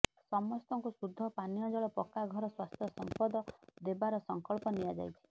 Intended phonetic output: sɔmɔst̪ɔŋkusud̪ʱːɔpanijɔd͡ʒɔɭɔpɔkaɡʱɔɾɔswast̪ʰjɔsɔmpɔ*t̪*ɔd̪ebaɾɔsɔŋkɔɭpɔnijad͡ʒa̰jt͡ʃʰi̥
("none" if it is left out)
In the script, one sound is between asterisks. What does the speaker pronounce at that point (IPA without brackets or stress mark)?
d̪